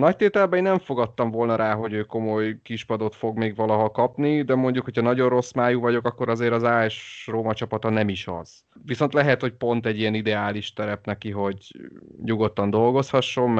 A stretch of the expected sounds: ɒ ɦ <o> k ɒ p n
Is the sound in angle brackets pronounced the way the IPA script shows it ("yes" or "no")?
no